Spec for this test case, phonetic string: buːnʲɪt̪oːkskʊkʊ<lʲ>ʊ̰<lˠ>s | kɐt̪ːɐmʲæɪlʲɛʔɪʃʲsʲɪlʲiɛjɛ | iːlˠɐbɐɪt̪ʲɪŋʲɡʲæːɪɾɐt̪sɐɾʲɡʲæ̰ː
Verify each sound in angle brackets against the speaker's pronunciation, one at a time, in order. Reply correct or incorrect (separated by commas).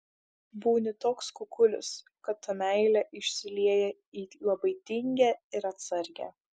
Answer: correct, incorrect